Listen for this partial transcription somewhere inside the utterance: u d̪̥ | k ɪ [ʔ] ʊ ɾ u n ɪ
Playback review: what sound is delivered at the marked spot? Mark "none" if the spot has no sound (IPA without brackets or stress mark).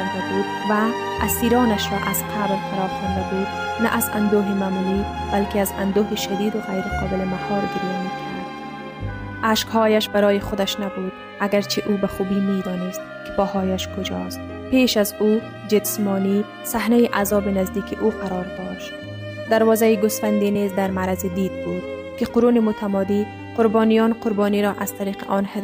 q